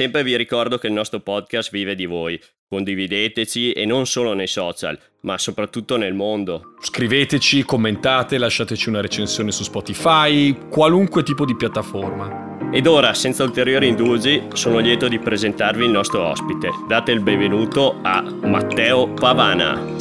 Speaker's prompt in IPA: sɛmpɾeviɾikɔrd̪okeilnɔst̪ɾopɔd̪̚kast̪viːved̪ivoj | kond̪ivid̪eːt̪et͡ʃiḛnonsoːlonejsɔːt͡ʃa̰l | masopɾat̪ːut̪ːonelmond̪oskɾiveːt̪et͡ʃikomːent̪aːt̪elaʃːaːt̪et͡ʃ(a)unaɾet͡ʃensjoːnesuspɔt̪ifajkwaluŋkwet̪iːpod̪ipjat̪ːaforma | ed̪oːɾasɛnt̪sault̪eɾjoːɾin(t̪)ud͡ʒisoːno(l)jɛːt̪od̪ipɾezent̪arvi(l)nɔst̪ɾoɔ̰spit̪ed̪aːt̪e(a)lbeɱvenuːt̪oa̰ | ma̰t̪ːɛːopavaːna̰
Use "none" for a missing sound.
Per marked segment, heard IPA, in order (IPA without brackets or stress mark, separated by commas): i, d̪, l, l, i